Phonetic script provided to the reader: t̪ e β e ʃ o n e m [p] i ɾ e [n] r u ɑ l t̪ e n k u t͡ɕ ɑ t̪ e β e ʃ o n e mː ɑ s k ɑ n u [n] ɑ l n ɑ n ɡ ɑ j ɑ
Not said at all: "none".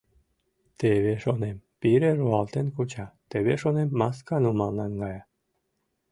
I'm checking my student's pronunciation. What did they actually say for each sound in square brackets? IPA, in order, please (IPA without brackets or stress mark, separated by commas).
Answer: p, none, m